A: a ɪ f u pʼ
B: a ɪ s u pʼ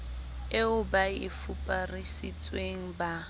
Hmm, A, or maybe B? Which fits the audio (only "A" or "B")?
A